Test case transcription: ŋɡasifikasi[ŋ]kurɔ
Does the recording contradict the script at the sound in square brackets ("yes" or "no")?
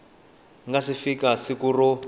yes